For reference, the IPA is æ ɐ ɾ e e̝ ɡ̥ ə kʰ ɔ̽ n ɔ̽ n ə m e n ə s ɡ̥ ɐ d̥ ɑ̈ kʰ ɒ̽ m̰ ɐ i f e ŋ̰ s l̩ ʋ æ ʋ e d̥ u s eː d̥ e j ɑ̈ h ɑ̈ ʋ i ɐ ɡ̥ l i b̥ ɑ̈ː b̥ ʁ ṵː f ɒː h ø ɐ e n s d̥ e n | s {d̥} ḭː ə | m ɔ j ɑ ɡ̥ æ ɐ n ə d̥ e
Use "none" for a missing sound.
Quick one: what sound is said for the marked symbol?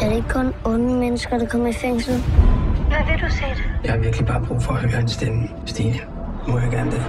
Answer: d̥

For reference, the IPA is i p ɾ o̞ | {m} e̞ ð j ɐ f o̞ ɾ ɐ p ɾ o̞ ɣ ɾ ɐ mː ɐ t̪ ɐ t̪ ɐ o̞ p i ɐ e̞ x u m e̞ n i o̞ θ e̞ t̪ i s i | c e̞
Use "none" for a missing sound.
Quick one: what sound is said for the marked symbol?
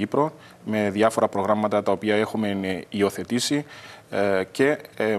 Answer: m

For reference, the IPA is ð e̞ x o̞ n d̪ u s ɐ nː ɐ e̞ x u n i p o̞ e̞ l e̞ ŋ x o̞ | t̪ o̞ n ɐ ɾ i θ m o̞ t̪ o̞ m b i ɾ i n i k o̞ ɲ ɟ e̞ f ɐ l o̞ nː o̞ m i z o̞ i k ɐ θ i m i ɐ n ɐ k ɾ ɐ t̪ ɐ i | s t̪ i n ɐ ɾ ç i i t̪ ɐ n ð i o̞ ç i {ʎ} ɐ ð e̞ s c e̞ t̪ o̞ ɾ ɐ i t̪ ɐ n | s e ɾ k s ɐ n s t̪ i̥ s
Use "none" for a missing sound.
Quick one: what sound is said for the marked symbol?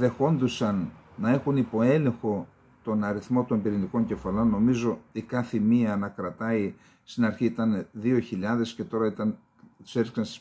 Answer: ʎ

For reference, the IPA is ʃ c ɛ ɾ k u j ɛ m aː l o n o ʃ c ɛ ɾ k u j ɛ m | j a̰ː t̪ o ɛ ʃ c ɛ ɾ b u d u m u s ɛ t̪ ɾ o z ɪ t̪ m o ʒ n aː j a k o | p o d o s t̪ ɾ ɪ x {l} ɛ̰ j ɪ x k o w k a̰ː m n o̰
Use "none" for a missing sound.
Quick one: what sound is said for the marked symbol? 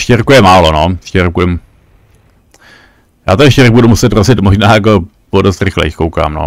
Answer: l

